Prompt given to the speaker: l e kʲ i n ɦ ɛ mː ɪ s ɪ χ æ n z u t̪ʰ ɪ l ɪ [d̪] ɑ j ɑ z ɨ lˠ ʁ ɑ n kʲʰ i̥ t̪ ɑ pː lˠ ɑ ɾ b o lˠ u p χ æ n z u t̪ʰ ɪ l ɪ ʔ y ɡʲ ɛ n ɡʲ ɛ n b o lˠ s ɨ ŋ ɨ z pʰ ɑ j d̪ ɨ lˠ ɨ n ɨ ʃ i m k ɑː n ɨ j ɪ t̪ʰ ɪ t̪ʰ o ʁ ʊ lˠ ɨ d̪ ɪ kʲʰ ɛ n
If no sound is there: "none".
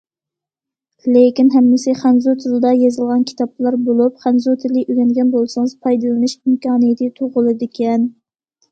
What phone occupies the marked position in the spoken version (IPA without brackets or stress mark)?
d̪